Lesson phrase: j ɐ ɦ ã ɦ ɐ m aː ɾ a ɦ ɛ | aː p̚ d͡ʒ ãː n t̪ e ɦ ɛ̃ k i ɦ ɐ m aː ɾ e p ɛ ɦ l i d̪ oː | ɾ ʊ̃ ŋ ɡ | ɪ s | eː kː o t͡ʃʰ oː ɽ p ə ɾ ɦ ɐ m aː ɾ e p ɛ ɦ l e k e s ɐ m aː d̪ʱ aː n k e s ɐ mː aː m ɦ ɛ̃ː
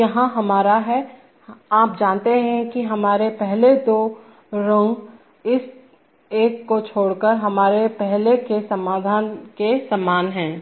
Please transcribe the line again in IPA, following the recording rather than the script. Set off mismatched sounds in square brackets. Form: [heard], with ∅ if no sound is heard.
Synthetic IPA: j ɐ ɦ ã ɦ ɐ m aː ɾ a ɦ ɛ | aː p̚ d͡ʒ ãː n t̪ e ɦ ɛ̃ k i ɦ ɐ m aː ɾ e p ɛ ɦ l [e] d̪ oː | ɾ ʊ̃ ŋ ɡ | ɪ s | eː kː o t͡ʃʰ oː ɽ [k] ə ɾ ɦ ɐ m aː ɾ e p ɛ ɦ l e k e s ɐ m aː d̪ʱ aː n k e s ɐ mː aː [n] ɦ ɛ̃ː

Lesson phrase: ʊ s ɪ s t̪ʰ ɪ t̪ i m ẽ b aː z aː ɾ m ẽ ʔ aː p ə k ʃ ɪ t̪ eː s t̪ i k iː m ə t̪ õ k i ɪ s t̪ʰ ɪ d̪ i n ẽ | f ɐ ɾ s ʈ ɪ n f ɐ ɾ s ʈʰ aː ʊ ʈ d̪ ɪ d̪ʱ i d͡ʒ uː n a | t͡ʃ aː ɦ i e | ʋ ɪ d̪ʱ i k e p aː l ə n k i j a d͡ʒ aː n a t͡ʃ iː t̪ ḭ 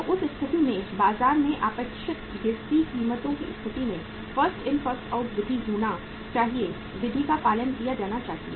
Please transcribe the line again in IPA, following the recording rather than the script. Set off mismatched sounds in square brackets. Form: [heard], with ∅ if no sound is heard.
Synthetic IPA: ʊ s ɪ s t̪ʰ ɪ t̪ i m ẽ b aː z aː ɾ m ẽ ʔ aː p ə k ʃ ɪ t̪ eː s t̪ i k iː m ə t̪ õ k i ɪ s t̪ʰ ɪ [t̪] i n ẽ | f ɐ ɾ s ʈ ɪ n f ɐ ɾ s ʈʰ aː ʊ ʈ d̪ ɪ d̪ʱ i d͡ʒ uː n a | t͡ʃ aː ɦ i e | ʋ ɪ d̪ʱ i k [a] p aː l ə n k i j a d͡ʒ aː n a t͡ʃ [aː] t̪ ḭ

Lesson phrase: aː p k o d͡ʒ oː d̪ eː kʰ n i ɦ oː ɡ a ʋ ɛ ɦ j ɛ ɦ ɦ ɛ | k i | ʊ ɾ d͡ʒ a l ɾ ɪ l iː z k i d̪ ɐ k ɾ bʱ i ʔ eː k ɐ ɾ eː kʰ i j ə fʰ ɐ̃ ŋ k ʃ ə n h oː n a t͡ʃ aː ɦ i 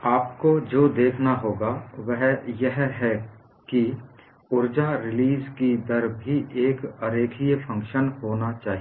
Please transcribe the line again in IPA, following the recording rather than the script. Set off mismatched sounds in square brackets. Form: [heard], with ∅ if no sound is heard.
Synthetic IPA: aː p k o d͡ʒ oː d̪ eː kʰ n [a] ɦ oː ɡ a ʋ ɛ ɦ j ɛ ɦ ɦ ɛ | k i | ʊ ɾ d͡ʒ a [∅] ɾ ɪ l iː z k i d̪ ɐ [∅] ɾ bʱ i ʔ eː k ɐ ɾ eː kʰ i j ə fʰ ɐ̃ ŋ k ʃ ə n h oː n a t͡ʃ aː ɦ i

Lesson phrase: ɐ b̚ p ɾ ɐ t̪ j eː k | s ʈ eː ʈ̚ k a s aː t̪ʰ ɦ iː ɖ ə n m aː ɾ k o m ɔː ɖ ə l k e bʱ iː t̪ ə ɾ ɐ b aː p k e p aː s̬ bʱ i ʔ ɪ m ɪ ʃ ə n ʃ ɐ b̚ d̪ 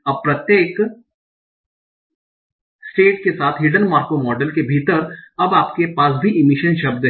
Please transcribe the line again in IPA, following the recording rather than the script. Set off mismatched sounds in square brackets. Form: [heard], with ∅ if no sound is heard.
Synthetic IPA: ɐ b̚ p ɾ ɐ t̪ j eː k | s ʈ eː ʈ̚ k [e] s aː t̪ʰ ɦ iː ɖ ə n m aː ɾ k o m ɔː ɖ ə l k e bʱ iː t̪ ə ɾ ɐ b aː p k e p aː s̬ bʱ i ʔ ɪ m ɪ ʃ ə n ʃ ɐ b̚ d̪

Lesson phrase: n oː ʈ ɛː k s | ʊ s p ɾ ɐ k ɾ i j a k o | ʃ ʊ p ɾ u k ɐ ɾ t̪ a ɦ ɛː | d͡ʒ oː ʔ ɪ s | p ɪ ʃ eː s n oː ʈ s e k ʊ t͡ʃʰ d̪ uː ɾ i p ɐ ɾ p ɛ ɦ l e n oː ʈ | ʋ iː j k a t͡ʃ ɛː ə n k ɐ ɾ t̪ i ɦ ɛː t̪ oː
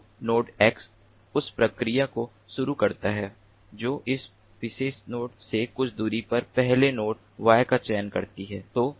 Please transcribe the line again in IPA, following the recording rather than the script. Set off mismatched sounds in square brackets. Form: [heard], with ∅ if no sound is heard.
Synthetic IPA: n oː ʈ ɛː k s | ʊ s p ɾ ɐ k ɾ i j a k o | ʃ ʊ [∅] ɾ u k ɐ ɾ t̪ a ɦ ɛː | d͡ʒ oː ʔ ɪ s | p ɪ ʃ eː s n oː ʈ s e k ʊ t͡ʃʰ d̪ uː ɾ i p ɐ ɾ p ɛ ɦ l e n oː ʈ | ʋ [aː] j k a t͡ʃ ɛː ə n k ɐ ɾ t̪ i ɦ ɛː t̪ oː

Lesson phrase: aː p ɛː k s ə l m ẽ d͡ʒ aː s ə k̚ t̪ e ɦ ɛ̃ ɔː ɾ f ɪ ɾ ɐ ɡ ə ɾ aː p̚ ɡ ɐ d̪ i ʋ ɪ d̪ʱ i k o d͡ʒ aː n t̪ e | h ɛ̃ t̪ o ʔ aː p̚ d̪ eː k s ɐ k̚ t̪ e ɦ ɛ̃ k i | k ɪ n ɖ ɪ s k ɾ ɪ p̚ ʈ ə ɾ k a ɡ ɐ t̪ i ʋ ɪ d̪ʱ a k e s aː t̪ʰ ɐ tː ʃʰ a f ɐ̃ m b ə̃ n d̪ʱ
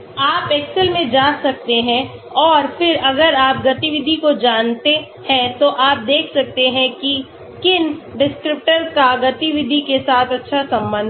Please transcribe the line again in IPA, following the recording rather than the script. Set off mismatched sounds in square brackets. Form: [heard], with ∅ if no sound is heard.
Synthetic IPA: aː p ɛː k s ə l m ẽ d͡ʒ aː s [ɐ] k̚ t̪ e ɦ ɛ̃ ɔː ɾ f ɪ ɾ ɐ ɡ ə ɾ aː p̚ ɡ ɐ [t̪] i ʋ ɪ d̪ʱ i k o d͡ʒ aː n t̪ e | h ɛ̃ t̪ o ʔ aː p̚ d̪ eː [kʰ] s ɐ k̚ t̪ e ɦ ɛ̃ k i | k ɪ n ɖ ɪ s k ɾ ɪ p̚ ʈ ə ɾ k a ɡ ɐ t̪ i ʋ ɪ d̪ʱ [i] k e s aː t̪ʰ ɐ tː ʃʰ a [s] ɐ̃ m b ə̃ n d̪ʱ

